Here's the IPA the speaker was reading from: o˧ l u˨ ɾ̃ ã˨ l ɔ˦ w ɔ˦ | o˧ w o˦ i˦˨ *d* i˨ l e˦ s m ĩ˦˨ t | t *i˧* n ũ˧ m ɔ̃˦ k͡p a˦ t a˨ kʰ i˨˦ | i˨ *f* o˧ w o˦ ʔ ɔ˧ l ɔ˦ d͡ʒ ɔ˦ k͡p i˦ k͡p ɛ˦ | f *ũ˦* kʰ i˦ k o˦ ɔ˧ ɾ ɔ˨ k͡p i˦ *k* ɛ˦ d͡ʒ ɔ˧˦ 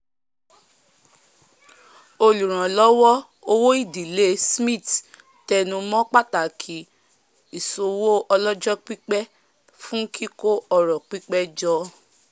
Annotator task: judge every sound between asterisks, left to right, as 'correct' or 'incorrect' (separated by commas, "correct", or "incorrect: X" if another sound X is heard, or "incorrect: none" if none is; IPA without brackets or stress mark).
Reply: correct, incorrect: ɛ˧, incorrect: s, correct, incorrect: k͡p